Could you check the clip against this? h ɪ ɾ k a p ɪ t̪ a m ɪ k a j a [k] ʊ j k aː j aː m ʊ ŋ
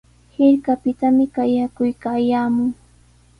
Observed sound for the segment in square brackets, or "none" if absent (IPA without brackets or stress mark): k